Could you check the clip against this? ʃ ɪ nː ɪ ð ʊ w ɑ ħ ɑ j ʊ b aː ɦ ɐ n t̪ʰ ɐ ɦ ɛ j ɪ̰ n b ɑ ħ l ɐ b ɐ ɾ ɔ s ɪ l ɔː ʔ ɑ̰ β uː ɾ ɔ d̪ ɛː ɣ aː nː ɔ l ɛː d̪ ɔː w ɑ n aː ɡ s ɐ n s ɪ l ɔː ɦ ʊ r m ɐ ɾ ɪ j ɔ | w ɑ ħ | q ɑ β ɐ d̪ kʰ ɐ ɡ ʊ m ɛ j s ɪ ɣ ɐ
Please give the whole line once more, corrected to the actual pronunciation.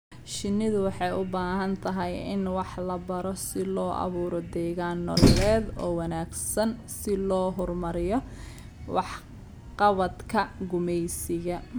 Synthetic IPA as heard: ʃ ɪ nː ɪ ð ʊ w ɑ ħ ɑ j ʊ b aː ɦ ɐ n t̪ʰ ɐ ɦ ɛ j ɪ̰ n w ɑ ħ l ɐ b ɐ ɾ ɔ s ɪ l ɔː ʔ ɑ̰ β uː ɾ ɔ d̪ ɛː ɣ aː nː ɔ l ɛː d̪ ɔː w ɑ n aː ɡ s ɐ n s ɪ l ɔː ɦ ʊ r m ɐ ɾ ɪ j ɔ | w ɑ ħ | q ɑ β ɐ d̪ kʰ ɐ ɡ ʊ m ɛ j s ɪ ɣ ɐ